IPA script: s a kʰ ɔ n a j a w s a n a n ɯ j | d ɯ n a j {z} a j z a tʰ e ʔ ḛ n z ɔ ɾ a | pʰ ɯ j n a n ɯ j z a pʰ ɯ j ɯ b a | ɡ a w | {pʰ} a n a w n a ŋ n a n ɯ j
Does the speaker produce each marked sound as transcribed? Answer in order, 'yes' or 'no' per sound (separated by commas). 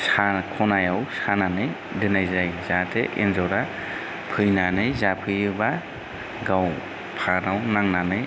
yes, yes